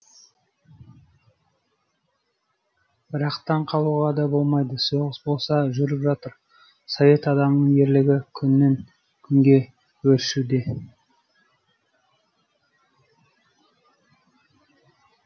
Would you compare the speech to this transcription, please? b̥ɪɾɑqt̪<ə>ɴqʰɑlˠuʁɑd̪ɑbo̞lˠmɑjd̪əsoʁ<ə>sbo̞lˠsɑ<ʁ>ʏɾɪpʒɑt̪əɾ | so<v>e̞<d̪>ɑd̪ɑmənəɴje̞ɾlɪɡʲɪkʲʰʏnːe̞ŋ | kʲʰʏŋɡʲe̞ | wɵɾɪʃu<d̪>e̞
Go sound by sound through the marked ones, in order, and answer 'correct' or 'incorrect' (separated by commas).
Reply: incorrect, correct, incorrect, correct, incorrect, correct